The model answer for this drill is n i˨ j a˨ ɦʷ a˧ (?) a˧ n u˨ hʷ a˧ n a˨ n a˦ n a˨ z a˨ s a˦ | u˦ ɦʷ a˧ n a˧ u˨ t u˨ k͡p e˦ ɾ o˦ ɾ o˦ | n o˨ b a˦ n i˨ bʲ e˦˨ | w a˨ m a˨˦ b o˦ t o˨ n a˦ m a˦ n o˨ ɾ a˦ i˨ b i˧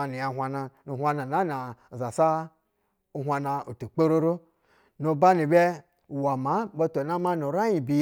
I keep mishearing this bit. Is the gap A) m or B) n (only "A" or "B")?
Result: B